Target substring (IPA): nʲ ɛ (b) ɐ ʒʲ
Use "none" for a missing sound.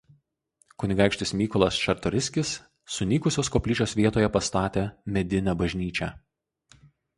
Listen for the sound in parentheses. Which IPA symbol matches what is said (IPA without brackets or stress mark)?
b